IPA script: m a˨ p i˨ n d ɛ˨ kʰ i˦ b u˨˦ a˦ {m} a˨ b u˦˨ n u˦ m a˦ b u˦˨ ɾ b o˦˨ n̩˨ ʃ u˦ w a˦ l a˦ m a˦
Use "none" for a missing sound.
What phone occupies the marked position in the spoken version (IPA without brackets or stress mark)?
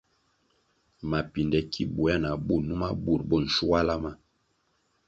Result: n